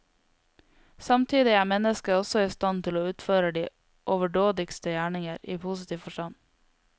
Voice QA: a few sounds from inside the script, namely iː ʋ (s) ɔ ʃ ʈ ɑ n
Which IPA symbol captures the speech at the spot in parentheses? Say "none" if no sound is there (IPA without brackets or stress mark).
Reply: f